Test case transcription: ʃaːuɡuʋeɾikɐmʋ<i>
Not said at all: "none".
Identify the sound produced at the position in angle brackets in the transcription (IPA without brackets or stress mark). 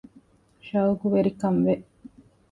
e